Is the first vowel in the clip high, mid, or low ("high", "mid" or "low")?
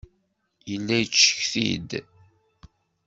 mid